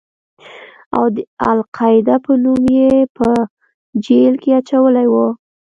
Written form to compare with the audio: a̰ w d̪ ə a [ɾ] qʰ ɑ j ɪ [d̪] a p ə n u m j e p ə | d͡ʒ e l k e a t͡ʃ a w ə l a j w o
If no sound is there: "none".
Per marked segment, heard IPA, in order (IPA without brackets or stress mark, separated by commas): l, d̪